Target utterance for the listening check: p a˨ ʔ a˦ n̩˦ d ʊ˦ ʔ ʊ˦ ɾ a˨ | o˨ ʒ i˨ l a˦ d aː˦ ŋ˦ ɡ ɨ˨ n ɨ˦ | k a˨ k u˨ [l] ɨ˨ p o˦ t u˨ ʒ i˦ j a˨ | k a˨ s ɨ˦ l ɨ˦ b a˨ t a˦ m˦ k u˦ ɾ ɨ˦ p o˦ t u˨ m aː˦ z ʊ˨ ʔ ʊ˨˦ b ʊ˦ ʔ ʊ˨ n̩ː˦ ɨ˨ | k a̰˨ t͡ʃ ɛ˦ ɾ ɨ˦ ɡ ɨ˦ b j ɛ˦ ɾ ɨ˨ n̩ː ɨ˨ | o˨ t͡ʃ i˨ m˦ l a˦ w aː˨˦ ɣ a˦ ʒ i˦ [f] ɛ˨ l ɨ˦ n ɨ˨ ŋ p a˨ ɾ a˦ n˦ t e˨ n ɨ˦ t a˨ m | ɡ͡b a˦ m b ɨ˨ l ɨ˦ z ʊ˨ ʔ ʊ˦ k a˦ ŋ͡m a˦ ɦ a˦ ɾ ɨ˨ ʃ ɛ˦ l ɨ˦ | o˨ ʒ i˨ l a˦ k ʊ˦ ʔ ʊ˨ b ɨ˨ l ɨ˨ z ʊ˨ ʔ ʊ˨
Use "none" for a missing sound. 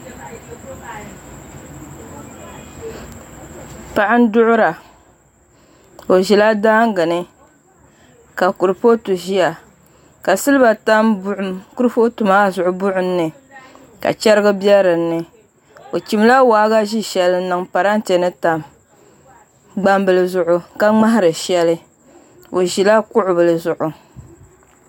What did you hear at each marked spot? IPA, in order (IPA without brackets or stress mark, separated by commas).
ɾ, ʃ